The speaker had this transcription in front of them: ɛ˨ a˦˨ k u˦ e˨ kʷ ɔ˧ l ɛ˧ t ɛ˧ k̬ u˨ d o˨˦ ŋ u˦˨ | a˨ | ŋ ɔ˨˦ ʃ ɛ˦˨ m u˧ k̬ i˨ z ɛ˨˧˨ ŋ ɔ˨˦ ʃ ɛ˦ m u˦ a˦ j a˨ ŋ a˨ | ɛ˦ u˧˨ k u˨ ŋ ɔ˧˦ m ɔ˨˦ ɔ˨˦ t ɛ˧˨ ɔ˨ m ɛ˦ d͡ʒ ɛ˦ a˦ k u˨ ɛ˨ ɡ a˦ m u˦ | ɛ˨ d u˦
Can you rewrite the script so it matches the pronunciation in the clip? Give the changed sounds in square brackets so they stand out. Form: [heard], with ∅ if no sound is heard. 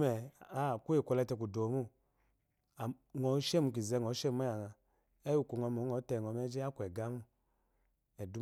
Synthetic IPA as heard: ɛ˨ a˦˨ k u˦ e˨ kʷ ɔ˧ l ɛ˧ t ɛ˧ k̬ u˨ d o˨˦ [m] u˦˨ | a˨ | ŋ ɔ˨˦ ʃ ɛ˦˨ m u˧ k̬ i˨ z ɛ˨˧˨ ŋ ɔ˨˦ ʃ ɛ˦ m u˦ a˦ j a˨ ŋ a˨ | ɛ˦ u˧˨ k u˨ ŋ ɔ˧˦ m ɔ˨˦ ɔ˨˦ t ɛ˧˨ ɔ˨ m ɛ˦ d͡ʒ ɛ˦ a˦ k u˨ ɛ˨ ɡ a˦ m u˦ | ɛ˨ d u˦